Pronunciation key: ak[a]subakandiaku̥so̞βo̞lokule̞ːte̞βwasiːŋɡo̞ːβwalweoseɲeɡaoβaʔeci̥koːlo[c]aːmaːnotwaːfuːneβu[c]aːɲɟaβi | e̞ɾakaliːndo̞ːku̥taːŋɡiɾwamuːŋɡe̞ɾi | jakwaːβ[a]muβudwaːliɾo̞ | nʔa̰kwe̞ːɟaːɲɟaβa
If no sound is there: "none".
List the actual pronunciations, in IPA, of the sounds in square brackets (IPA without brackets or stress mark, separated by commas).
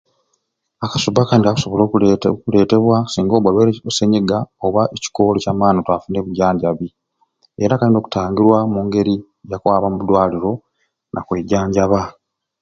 a, c, ɟ, a